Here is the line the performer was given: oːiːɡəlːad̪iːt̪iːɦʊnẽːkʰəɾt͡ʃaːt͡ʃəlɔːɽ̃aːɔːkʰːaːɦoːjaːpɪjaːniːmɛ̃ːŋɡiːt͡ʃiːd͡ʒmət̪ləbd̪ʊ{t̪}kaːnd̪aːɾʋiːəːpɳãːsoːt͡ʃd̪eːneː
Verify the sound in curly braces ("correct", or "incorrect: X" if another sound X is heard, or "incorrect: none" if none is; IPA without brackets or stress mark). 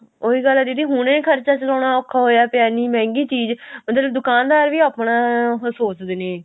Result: incorrect: none